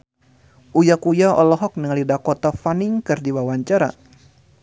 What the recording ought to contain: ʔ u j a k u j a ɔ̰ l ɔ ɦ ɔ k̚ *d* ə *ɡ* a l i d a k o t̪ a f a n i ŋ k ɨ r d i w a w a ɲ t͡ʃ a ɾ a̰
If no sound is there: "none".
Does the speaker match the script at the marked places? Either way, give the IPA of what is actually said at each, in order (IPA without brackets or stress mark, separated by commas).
n, ŋ